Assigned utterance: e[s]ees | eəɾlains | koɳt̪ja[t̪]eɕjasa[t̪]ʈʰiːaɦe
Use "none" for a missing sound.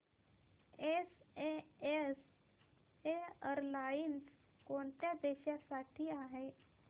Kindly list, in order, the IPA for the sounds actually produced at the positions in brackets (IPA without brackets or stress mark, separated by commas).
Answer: s, d̪, none